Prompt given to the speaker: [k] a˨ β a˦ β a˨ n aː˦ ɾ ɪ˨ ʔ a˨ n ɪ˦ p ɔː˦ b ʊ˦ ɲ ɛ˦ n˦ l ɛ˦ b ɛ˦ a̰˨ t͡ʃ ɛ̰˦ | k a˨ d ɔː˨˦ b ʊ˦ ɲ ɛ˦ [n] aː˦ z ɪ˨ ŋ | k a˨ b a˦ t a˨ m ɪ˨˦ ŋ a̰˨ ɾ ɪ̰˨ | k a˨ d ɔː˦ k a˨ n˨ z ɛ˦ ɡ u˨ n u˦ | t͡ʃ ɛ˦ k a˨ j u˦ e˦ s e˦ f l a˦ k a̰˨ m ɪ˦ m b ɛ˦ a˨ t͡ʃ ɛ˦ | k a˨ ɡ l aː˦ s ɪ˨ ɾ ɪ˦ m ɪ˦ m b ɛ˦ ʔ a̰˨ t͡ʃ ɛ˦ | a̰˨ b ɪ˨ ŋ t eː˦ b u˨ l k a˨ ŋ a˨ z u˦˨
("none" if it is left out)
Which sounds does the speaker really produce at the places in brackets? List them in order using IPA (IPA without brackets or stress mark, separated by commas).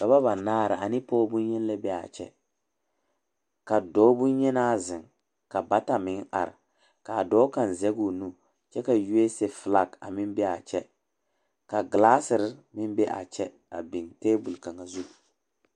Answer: k, n